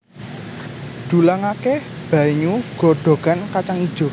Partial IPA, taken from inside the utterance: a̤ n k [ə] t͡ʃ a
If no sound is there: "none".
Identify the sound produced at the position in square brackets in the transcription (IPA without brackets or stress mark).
a